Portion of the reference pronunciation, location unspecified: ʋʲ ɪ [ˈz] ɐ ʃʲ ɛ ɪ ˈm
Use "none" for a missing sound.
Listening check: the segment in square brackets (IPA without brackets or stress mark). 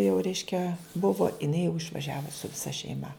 s